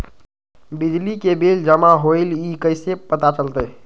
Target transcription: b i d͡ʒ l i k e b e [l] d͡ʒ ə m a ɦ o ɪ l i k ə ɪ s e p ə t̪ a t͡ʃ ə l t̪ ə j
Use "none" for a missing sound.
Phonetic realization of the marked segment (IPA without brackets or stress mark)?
l